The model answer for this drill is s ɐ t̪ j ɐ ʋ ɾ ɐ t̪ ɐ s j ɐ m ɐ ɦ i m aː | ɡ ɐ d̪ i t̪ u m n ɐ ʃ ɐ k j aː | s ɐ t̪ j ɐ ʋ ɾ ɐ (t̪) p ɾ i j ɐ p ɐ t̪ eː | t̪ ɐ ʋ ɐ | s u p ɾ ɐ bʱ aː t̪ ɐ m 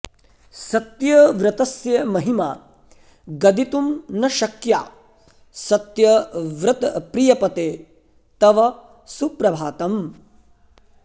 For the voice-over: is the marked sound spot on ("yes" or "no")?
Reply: yes